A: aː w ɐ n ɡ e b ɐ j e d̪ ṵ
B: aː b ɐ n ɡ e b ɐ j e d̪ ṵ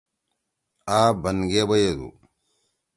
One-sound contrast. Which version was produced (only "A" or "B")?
B